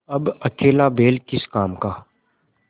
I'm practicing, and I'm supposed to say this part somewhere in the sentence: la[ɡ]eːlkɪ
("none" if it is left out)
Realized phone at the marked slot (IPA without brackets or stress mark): b